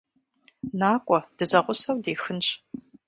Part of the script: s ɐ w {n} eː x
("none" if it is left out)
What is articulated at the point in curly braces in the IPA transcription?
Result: d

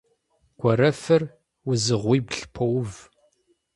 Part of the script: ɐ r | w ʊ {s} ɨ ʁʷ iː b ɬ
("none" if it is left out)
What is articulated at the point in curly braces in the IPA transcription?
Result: z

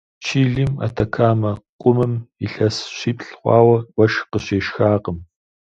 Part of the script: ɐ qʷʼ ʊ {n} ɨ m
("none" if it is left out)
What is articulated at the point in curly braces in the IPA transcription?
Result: m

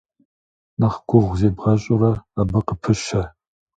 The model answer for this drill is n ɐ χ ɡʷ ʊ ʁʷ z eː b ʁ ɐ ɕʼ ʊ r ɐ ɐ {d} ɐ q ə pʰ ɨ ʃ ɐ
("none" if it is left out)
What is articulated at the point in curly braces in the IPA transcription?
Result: b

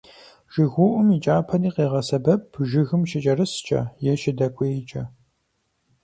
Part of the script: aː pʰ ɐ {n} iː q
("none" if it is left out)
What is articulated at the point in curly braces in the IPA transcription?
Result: n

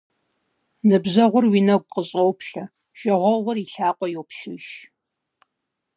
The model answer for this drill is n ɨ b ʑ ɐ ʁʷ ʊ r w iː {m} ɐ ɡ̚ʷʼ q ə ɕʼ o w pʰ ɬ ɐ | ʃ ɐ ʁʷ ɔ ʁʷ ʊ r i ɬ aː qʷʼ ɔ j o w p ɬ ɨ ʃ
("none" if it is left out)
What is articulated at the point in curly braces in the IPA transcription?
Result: n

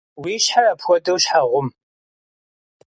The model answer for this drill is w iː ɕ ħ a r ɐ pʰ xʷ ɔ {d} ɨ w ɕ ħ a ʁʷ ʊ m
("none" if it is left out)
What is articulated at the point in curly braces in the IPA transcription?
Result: d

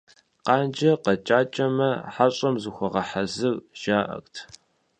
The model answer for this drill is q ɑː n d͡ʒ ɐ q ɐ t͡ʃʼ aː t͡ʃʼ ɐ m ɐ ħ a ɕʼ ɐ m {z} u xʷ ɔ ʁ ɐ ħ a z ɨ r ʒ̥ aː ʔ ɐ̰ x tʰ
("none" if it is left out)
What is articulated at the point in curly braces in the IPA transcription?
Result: z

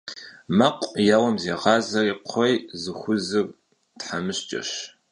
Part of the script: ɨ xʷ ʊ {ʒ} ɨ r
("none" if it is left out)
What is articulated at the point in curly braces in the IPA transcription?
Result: z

